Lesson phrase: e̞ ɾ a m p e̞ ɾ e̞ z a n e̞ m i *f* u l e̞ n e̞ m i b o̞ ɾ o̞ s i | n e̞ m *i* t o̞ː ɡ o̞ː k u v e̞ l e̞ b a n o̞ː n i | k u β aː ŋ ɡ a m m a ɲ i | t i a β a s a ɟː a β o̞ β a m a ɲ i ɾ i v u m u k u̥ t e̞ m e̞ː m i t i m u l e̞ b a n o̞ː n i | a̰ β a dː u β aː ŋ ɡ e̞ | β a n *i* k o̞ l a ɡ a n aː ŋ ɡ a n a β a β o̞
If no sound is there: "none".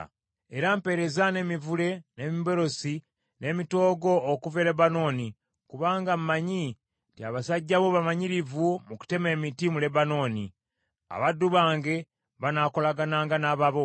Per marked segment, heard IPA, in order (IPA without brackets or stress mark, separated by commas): v, i, a